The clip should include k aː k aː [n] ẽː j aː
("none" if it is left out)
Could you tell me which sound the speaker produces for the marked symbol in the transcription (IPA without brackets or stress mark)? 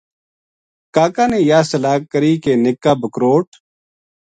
n